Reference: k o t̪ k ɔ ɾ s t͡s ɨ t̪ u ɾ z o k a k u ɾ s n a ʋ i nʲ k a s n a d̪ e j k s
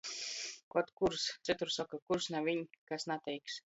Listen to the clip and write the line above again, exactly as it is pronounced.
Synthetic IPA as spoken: k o t̪ k u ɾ s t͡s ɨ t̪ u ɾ s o k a k u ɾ s n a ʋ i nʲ k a s n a t̪ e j k s